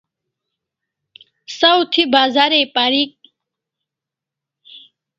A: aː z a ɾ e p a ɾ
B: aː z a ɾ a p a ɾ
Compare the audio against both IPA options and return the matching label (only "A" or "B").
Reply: A